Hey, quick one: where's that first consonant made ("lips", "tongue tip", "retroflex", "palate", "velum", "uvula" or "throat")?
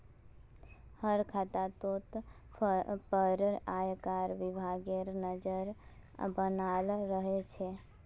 throat